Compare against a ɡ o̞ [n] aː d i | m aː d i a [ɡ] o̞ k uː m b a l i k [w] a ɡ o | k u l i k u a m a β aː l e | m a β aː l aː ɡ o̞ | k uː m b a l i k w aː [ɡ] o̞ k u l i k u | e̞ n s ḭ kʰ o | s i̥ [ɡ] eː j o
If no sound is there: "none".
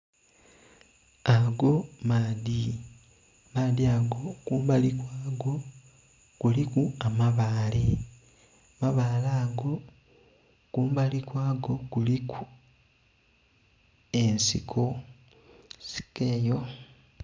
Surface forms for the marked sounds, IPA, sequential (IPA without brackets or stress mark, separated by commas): m, ɡ, w, ɡ, k